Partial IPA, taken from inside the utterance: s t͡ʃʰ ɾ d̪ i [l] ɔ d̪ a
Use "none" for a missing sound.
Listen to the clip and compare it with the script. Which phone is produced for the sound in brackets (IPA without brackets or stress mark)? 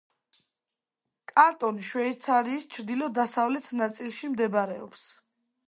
l